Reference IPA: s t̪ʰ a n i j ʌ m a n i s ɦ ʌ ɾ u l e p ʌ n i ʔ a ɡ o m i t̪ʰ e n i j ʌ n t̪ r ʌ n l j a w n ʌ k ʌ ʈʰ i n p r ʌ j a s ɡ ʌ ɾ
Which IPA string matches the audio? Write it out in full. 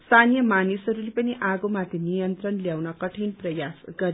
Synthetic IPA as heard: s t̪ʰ a n i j ʌ m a n i s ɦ ʌ ɾ u l e p ʌ n i ʔ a ɡ o m a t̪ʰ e n i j ʌ n t̪ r ʌ n l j a w n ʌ k ʌ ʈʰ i n p r ʌ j a s ɡ ʌ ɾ